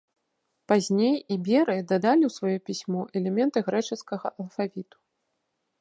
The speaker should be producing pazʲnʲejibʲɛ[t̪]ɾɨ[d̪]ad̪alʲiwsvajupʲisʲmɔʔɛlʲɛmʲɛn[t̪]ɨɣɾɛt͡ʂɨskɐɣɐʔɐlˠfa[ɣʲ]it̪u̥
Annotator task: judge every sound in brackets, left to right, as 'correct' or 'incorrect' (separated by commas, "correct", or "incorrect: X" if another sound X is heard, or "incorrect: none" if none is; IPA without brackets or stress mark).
incorrect: none, correct, correct, incorrect: vʲ